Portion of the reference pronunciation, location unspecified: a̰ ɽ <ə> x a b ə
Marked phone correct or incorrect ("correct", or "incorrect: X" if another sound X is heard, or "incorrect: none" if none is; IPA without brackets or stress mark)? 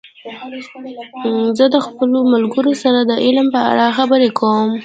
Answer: incorrect: ɑ